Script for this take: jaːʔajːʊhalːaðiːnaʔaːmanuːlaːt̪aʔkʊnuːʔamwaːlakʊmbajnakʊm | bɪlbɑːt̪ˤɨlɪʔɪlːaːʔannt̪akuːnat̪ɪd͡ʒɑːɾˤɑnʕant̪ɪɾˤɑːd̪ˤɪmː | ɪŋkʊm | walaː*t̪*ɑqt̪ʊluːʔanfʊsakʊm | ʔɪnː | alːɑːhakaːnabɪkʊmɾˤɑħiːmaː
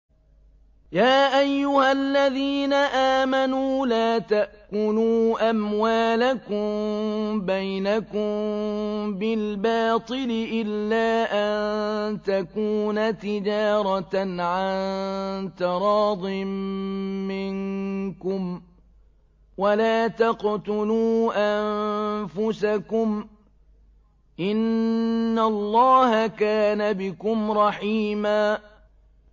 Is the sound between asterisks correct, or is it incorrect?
correct